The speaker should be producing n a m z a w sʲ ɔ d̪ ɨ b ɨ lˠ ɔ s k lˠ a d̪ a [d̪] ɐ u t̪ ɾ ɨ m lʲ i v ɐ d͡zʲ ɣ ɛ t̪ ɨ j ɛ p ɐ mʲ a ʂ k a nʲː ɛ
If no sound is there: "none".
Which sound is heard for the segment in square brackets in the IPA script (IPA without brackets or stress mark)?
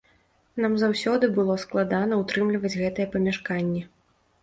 n̪